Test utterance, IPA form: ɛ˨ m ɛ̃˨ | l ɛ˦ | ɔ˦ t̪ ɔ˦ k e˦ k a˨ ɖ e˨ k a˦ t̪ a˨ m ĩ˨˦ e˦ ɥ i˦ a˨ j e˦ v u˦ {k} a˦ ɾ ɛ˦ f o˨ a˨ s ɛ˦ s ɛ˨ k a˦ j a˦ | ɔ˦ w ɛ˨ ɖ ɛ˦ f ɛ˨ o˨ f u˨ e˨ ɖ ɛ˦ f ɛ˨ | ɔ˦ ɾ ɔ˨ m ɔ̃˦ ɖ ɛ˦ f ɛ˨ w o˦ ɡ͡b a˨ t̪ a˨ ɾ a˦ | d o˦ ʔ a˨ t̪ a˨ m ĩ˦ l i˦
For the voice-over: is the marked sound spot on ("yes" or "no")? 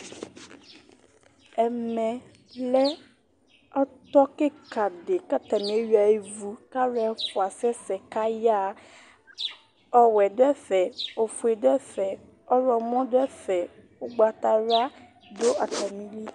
yes